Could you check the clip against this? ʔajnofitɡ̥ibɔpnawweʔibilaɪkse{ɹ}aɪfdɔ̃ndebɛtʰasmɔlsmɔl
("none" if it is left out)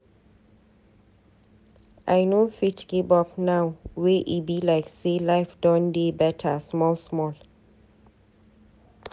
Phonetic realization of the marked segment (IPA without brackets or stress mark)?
l